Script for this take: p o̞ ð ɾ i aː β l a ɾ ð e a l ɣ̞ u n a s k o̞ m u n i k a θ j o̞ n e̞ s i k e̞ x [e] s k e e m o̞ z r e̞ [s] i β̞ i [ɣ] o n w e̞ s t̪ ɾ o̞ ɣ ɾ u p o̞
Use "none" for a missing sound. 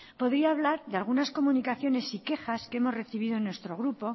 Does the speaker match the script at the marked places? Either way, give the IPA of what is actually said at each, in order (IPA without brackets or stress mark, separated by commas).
a, θ, ð